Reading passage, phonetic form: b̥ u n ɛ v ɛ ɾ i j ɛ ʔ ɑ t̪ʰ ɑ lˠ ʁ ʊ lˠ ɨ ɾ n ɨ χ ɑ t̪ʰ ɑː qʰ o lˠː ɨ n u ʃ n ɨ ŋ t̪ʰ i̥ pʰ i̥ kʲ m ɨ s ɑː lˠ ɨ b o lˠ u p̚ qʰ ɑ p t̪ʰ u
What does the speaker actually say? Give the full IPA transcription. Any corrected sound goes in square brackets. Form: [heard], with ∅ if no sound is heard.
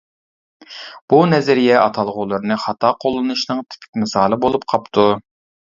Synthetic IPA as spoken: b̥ u n ɛ [z] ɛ ɾ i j ɛ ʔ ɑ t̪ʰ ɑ lˠ ʁ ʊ lˠ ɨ ɾ n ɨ χ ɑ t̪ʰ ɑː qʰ o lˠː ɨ n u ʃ n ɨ ŋ t̪ʰ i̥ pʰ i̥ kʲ m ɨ s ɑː lˠ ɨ b o lˠ u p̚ qʰ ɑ p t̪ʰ u